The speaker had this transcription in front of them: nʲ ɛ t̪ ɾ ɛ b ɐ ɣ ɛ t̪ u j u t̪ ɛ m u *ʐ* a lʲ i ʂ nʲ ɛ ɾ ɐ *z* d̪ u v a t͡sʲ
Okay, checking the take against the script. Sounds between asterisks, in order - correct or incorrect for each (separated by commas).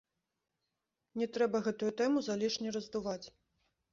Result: incorrect, correct